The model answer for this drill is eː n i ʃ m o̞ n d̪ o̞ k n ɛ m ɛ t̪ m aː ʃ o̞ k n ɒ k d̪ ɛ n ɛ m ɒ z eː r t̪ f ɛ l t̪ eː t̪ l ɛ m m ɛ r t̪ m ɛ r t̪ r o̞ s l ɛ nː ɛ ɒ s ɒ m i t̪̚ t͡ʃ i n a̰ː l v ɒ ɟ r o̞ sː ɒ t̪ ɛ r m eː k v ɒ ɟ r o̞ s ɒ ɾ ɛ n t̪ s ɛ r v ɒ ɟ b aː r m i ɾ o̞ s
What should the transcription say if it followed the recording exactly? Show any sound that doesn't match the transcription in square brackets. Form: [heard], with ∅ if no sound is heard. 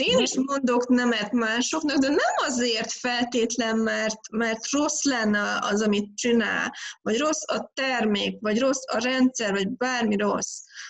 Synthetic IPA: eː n i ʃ m o̞ n d̪ o̞ k n ɛ m ɛ t̪ m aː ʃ o̞ k n ɒ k d̪ ɛ n ɛ m ɒ z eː r t̪ f ɛ l t̪ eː t̪ l ɛ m m ɛ r t̪ m ɛ r t̪ r o̞ s l ɛ nː ɛ ɒ [z] ɒ m i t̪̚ t͡ʃ i n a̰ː l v ɒ ɟ r o̞ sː ɒ t̪ ɛ r m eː k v ɒ ɟ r o̞ s ɒ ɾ ɛ n t̪ s ɛ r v ɒ ɟ b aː r m i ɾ o̞ s